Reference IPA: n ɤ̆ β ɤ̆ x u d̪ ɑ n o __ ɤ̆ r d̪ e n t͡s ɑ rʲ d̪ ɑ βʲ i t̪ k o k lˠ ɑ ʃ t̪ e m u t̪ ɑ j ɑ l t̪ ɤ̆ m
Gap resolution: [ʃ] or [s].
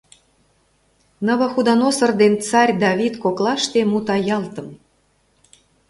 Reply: s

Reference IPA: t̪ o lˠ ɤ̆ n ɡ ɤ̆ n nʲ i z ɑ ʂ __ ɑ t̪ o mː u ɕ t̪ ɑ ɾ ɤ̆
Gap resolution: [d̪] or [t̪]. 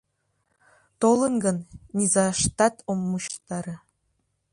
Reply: t̪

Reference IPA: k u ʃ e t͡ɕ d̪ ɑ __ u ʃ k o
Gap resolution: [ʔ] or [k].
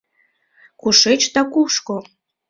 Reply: k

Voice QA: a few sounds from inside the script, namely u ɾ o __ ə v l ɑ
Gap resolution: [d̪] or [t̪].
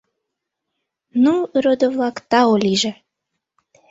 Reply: d̪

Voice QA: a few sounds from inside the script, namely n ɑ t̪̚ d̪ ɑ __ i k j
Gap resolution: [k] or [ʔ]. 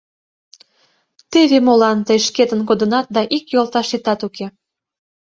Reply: ʔ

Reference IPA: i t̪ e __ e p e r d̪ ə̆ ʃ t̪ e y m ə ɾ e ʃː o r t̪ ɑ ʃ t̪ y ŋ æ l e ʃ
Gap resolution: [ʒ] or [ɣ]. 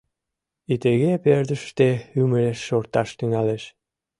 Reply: ɣ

